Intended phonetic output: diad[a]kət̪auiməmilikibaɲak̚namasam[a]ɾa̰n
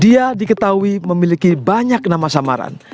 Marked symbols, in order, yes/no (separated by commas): no, yes